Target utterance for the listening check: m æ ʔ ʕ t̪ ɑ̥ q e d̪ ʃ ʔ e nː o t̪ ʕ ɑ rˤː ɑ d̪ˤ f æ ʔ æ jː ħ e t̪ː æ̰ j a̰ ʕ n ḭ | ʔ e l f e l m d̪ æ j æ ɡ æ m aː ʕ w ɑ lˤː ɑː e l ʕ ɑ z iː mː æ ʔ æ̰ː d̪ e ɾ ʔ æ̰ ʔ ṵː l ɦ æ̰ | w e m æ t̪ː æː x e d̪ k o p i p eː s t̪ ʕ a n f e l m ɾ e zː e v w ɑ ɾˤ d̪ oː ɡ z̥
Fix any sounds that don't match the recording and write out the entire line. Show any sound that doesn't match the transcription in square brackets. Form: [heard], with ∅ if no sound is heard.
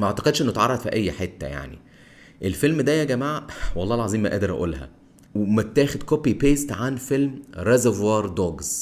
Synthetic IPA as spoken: m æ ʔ ʕ t̪ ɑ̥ q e d̪ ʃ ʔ e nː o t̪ ʕ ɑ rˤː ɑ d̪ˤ f [i] ʔ æ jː ħ e t̪ː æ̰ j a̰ ʕ n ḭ | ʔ e l f e l m d̪ æ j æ ɡ æ m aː ʕ w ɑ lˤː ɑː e l ʕ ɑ z iː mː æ ʔ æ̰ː d̪ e ɾ ʔ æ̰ ʔ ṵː l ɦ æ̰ | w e m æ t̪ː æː x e d̪ k o p i p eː s t̪ ʕ a n f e l m ɾ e [z] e v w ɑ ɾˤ d̪ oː ɡ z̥